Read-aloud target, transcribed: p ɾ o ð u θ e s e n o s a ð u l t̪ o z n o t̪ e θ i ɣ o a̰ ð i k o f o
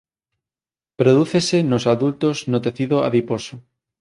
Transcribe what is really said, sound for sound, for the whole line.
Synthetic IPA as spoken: p ɾ o ð u θ e s e n o s a ð u l t̪ o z n o t̪ e θ i ð o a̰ ð i p o s o